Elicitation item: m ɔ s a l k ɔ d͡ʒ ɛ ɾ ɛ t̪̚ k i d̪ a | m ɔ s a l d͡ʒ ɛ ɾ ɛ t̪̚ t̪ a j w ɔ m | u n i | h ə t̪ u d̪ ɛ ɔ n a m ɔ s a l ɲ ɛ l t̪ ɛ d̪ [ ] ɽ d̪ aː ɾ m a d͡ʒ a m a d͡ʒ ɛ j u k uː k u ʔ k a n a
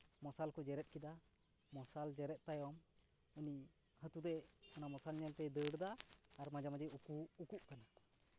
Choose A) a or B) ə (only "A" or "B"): B